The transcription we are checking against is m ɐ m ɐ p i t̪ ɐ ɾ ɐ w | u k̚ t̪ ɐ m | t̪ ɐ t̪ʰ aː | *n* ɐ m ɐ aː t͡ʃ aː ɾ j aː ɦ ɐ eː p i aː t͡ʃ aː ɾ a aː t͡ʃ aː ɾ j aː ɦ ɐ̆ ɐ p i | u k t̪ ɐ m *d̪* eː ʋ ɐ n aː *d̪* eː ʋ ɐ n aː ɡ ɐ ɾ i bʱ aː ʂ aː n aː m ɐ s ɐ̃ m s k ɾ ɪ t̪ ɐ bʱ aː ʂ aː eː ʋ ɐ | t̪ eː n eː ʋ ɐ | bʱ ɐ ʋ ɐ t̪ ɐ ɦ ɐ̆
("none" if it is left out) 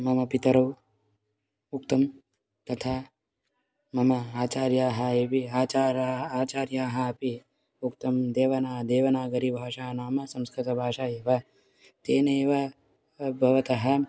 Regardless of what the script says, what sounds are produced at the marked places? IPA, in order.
m, d̪, d̪

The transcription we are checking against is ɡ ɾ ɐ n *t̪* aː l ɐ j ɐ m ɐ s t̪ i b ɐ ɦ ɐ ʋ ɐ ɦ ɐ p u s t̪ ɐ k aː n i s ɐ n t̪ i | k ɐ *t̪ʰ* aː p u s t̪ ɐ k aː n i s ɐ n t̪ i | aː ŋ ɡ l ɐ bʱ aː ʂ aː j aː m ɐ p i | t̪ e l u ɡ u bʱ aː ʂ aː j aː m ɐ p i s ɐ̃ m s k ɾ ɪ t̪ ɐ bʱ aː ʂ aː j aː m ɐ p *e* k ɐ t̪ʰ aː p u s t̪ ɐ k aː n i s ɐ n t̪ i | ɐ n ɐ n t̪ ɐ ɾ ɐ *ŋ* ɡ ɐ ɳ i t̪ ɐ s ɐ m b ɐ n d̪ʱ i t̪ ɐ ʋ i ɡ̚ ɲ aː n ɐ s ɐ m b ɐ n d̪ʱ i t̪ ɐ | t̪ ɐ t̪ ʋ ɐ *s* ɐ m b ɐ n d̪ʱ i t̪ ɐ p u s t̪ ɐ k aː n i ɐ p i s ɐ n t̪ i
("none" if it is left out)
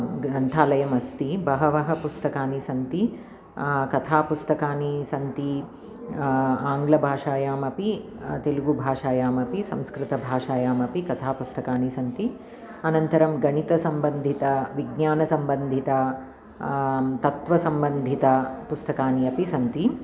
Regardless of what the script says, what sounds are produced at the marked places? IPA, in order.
t̪ʰ, t̪ʰ, i, m, s

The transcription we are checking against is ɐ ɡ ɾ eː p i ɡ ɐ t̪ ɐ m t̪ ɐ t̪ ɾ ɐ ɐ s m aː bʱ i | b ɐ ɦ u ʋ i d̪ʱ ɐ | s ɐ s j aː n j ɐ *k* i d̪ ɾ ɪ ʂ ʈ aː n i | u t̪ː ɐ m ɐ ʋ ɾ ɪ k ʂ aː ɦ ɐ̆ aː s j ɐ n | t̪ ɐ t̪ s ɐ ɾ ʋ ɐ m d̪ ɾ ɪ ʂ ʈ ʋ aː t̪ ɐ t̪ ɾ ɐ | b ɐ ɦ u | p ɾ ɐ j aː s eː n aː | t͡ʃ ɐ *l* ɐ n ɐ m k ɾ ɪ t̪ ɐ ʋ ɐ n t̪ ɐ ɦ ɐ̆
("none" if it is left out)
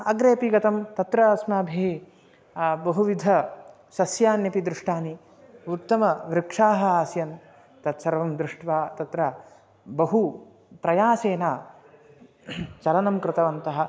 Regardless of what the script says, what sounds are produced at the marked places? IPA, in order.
p, l

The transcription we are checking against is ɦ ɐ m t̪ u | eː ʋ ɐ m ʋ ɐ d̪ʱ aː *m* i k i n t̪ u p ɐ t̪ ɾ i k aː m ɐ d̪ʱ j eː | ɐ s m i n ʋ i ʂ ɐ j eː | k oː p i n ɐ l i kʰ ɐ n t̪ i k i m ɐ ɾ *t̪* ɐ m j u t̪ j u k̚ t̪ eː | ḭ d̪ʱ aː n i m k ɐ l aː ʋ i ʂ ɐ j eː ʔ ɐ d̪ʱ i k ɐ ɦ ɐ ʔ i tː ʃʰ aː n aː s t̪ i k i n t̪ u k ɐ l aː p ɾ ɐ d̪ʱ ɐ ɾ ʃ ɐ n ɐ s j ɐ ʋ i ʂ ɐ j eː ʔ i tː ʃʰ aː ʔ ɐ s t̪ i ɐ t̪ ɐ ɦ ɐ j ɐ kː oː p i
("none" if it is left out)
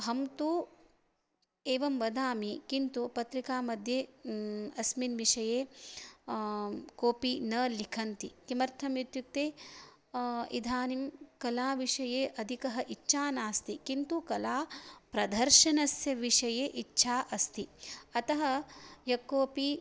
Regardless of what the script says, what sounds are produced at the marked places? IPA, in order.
m, t̪ʰ

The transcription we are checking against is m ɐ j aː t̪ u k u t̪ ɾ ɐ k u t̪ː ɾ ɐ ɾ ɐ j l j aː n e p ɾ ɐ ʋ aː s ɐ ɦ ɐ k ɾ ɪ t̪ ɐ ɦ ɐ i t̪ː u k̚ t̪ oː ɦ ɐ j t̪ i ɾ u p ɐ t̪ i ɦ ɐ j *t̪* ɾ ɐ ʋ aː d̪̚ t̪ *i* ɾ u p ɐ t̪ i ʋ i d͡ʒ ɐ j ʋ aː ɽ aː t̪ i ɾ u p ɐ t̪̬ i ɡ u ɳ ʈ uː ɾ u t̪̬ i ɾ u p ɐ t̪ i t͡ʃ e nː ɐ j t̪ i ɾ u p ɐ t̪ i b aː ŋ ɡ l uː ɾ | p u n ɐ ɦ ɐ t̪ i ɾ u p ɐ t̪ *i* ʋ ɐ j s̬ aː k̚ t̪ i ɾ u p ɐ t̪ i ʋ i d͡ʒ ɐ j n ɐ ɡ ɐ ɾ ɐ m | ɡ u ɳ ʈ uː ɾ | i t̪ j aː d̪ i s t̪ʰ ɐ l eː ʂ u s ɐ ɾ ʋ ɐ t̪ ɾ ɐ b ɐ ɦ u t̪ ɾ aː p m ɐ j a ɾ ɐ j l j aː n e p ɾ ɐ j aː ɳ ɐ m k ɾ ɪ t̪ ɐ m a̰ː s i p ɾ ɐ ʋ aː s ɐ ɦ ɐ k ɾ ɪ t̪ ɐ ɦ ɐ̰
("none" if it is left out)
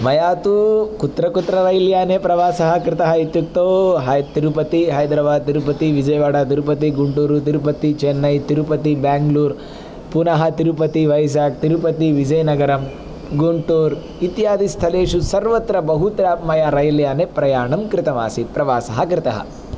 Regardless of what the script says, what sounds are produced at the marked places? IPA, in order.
d̪, i, i

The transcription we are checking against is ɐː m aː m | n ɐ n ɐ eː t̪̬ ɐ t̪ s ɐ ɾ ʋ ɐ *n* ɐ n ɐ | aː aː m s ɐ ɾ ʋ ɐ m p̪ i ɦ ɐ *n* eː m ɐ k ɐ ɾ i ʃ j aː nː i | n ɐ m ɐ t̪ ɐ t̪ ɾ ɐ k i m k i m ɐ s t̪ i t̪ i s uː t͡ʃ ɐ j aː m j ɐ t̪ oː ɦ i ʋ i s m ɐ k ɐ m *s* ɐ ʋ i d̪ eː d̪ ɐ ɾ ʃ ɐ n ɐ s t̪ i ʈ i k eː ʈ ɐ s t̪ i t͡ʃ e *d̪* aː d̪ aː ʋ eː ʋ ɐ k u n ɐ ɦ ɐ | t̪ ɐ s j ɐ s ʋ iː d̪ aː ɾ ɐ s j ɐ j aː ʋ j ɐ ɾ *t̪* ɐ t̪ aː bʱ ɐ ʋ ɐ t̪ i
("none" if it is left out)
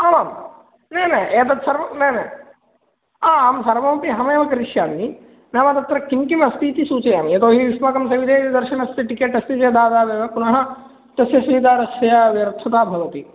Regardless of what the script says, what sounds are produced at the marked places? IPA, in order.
n, m, s, d̪, t̪ʰ

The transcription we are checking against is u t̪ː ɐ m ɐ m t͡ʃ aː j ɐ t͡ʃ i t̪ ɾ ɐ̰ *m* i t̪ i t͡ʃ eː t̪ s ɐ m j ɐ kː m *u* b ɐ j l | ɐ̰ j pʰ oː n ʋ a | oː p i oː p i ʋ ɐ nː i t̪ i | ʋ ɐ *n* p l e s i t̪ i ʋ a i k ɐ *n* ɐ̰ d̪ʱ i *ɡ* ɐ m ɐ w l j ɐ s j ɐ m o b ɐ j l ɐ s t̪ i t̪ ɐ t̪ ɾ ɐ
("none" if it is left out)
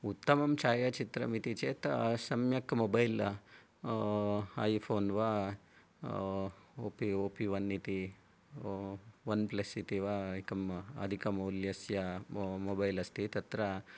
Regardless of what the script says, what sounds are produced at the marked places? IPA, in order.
m, o, n, m, k

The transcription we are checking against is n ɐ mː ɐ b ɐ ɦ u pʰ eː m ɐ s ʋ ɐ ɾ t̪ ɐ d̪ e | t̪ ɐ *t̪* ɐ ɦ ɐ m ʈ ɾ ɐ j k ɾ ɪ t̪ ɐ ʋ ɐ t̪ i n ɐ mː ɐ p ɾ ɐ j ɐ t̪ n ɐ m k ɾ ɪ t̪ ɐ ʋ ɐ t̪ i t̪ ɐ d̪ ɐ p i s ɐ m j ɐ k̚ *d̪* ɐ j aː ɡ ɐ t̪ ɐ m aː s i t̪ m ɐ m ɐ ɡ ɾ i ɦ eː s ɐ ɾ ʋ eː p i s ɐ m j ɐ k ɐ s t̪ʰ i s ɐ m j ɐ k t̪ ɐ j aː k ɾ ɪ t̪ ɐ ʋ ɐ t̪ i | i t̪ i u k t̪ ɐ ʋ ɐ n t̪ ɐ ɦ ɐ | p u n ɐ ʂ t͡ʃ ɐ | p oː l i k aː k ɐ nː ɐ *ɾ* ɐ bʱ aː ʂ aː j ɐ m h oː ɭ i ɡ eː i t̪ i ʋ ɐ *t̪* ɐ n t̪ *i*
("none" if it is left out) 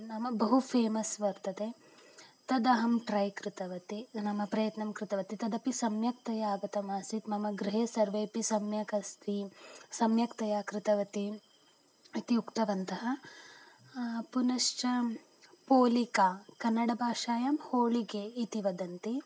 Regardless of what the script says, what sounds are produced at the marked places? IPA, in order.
d̪, t̪, ɽ, d̪, i

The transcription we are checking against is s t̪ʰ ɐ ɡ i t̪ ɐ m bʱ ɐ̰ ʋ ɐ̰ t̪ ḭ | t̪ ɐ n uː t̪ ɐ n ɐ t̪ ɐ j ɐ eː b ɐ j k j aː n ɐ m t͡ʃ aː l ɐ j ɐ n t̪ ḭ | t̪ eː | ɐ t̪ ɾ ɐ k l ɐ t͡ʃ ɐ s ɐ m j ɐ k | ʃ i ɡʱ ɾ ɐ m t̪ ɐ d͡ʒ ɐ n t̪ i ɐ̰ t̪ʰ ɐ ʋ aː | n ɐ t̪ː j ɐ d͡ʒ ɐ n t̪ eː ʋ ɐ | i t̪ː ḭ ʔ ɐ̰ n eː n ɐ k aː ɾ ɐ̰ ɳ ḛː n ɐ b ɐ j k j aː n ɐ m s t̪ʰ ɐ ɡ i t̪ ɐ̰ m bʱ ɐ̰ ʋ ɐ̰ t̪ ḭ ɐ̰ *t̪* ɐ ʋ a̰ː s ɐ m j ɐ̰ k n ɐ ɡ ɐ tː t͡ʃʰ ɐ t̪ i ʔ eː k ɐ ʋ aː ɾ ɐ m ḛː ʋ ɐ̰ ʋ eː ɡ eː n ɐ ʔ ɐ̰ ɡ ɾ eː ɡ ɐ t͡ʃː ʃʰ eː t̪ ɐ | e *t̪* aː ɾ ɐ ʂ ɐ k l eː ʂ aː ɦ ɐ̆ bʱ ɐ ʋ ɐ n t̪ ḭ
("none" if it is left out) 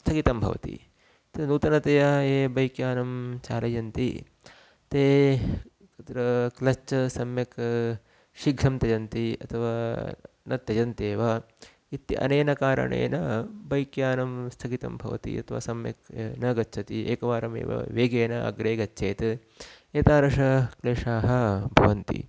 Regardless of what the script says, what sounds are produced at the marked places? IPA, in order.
t̪ʰ, t̪

